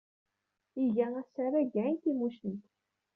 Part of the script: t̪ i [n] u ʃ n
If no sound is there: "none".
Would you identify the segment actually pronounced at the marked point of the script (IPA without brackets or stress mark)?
m